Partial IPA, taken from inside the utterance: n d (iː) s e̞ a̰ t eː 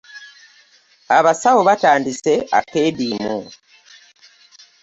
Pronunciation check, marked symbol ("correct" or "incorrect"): incorrect